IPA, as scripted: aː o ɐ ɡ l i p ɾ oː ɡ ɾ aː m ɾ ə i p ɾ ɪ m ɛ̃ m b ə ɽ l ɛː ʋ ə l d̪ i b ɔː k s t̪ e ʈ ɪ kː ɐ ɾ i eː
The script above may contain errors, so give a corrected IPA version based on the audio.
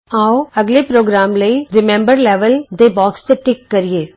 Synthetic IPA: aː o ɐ ɡ l e p ɾ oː ɡ ɾ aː m l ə i ɾ ɪ m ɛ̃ m b ə ɾ l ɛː ʋ ə l d̪ e b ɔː k s t̪ e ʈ ɪ kː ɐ ɾ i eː

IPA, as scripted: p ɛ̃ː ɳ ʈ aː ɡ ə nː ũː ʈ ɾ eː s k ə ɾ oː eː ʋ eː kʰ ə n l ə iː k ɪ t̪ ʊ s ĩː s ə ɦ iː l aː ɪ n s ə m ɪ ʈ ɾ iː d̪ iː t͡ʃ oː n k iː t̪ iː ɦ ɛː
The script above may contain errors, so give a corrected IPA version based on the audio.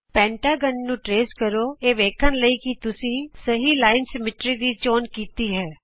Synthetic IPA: p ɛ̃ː ɳ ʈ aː ɡ ə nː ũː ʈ ɾ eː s k ə ɾ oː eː ʋ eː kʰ ə n l ə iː k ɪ t̪ ʊ s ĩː s ə ɦ iː l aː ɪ n s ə m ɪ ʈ ɾ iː d̪ iː t͡ʃ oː n k iː t̪ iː ɦ ɛː

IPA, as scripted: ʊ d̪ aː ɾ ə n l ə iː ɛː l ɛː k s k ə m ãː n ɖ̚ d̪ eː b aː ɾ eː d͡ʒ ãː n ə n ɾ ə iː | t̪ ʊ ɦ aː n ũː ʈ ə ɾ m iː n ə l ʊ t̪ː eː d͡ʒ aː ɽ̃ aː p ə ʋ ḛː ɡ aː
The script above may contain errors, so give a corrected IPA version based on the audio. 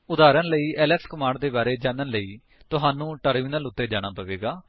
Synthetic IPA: ʊ d̪ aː ɾ ə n l ə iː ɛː l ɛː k s k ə m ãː ɳ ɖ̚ d̪ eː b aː ɾ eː d͡ʒ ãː n ə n l ə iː | t̪ ʊ ɦ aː n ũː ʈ ə ɾ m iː n ə l ʊ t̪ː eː d͡ʒ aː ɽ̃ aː p ə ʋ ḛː ɡ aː

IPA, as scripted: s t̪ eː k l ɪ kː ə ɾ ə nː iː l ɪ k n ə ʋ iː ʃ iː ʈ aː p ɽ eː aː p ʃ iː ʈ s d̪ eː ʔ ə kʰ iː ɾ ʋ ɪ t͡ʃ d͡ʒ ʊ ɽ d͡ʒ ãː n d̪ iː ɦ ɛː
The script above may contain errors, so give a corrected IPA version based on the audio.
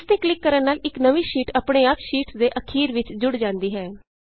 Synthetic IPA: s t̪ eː k l ɪ kː ə ɾ ə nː aː l ɪ k n ə ʋ iː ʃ iː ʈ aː p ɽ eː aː p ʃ iː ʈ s d̪ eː ʔ ə kʰ iː ɾ ʋ ɪ t͡ʃ d͡ʒ ʊ ɽ d͡ʒ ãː n d̪ iː ɦ ɛː

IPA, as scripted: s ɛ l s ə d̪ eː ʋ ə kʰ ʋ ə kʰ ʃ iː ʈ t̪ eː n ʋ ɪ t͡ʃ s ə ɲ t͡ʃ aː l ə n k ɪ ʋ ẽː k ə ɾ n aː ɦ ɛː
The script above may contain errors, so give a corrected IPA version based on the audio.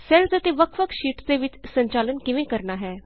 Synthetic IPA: s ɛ l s ə t̪ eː ʋ ə kʰ ʋ ə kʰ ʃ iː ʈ d̪ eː ʋ ɪ t͡ʃ s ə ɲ t͡ʃ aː l ə n k ɪ ʋ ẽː k ə ɾ n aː ɦ ɛː

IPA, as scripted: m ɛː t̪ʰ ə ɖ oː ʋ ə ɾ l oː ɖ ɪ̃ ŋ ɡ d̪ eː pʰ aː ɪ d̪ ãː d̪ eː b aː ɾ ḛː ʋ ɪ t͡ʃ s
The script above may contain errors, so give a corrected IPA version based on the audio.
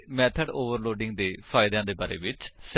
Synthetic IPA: m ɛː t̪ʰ ə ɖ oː ʋ ə ɾ l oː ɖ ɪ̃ ŋ ɡ d̪ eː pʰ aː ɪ d̪ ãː d̪ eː b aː ɾ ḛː ʋ ɪ t͡ʃ s

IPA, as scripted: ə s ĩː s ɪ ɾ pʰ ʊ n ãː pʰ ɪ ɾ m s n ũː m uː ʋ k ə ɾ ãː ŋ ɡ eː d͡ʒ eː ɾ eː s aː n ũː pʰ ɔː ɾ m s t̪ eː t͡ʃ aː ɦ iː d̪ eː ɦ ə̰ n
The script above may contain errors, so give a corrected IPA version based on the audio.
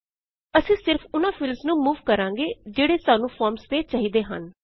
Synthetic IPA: ə s ĩː s ɪ ɾ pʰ ʊ n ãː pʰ ɪ l m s n ũː m uː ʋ k ə ɾ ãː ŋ ɡ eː d͡ʒ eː ɽ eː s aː n ũː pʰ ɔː ɾ m s t̪ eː t͡ʃ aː ɦ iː d̪ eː ɦ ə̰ n

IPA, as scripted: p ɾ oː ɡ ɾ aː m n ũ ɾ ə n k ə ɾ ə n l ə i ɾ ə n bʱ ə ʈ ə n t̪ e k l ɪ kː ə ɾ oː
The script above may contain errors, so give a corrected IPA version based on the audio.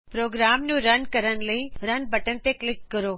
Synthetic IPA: p ɾ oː ɡ ɾ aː m n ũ ɾ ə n k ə ɾ ə n l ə i ɾ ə n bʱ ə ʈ ə n t̪ e k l ɪ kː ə ɾ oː

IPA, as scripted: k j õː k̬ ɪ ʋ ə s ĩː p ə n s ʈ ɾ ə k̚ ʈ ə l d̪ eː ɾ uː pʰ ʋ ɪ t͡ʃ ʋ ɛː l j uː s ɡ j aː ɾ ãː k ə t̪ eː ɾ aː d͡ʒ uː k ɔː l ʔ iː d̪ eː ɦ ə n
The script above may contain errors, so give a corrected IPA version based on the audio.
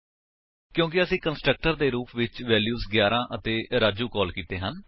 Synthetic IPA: k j õː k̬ ɪ ə s ĩː k ə n s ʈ ɾ ə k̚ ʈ ə ɾ d̪ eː ɾ uː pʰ ʋ ɪ t͡ʃ ʋ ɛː l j uː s ɡ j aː ɾ ãː ʔ ə t̪ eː ɾ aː d͡ʒ uː k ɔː l k iː t̪ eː ɦ ə n

